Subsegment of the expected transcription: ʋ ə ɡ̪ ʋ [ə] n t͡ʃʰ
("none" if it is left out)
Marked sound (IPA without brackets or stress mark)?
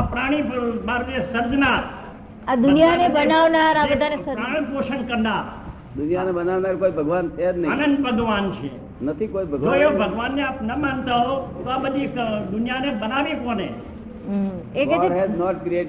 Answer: a